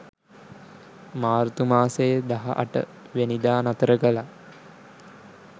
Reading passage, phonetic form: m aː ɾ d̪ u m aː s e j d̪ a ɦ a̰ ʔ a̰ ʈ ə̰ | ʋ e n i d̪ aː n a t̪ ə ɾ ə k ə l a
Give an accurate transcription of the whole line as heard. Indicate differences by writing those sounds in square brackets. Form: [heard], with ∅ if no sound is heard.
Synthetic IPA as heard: m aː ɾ [t̪] u m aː s e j d̪ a ɦ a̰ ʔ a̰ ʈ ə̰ | ʋ e n i d̪ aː n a t̪ ə ɾ ə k ə l a